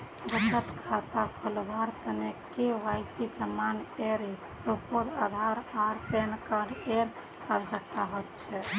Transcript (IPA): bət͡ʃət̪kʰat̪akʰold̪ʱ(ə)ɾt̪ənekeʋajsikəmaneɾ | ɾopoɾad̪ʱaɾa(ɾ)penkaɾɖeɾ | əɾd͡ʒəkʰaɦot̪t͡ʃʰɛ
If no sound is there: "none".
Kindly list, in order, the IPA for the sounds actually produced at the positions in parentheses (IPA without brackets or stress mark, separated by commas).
a, ɾ